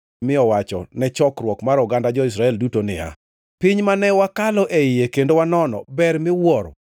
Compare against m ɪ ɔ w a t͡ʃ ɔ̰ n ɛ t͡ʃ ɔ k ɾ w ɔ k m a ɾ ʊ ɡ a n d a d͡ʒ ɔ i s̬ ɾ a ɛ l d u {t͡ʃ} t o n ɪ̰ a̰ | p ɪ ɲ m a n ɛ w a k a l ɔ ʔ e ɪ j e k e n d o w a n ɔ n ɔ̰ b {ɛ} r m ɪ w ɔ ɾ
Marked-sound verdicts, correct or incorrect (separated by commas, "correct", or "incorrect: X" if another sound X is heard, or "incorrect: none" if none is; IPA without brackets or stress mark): incorrect: none, correct